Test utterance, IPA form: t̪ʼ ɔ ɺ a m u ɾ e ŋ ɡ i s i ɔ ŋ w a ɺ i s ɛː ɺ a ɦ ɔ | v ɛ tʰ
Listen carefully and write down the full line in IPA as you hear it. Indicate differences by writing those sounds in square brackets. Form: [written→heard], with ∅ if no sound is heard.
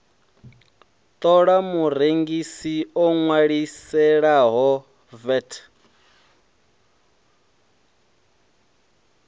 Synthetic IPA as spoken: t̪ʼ ɔ ɺ a m u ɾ e ŋ ɡ i s i ɔ ŋ w a ɺ i s [ɛː→ɛ] ɺ a ɦ ɔ | v ɛ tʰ